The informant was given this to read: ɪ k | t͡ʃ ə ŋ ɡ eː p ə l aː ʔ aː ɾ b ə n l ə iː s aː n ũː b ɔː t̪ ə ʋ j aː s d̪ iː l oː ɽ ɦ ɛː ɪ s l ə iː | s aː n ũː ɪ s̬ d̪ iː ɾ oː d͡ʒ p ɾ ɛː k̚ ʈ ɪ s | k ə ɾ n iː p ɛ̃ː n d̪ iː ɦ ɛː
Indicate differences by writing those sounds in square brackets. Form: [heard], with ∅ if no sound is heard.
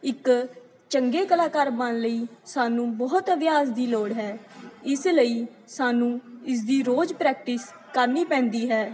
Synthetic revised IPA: ɪ k | t͡ʃ ə ŋ ɡ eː [k] ə l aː [k] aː ɾ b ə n l ə iː s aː n ũː b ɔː t̪ ə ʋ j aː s d̪ iː l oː ɽ ɦ ɛː ɪ s l ə iː | s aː n ũː ɪ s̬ d̪ iː ɾ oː d͡ʒ p ɾ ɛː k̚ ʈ ɪ s | k ə ɾ n iː p ɛ̃ː n d̪ iː ɦ ɛː